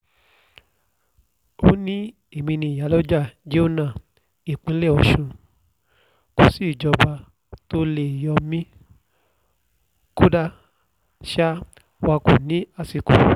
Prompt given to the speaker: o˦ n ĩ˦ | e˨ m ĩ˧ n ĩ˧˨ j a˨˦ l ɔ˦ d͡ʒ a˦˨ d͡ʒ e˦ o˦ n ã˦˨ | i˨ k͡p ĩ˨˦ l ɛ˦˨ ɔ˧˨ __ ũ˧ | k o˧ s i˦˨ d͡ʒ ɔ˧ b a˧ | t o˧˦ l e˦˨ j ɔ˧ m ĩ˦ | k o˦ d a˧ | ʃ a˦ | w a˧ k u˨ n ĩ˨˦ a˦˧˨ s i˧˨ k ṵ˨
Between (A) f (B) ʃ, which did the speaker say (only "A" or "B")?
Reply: B